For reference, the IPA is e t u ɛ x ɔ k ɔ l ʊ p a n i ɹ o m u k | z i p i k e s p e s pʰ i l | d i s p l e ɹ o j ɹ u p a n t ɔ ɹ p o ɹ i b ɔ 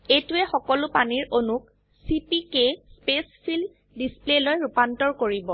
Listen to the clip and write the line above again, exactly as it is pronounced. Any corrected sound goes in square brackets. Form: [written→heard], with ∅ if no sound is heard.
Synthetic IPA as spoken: e t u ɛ x ɔ k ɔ l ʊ p a n i ɹ o [m→n] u k | [z→s] i p i k e s p e s pʰ i l | d i s p l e [ɹ→l] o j ɹ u p a n t ɔ ɹ [p→k] o ɹ i b ɔ